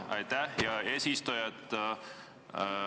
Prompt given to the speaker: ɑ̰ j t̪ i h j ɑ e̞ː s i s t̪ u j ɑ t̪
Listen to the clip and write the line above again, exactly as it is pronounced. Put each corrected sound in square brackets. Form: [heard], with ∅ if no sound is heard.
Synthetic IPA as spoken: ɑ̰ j t̪ [æ] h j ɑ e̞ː s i s t̪ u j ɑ t̪